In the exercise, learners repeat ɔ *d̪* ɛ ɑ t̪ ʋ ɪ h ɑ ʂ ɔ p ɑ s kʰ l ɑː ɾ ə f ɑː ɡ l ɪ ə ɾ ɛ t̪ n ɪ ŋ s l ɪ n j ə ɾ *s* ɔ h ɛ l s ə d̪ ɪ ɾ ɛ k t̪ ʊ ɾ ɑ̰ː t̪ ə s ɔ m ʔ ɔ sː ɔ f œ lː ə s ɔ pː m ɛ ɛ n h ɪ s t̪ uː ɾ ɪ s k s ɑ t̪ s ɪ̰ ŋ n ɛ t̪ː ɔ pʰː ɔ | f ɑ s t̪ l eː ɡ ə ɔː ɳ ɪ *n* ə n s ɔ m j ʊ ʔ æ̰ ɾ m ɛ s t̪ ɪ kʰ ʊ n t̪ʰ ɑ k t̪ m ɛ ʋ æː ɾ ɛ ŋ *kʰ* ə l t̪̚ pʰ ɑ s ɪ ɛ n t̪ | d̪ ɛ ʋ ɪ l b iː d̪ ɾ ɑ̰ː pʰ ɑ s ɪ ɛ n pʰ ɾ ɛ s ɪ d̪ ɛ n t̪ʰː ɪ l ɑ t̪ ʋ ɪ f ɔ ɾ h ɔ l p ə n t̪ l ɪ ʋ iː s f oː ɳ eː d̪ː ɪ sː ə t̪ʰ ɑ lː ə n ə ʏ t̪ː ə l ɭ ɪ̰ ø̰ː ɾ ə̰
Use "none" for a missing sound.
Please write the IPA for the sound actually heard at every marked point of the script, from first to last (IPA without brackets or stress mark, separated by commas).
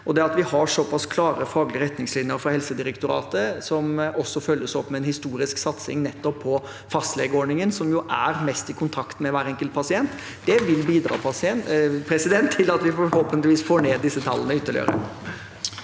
d̪, f, ŋ, k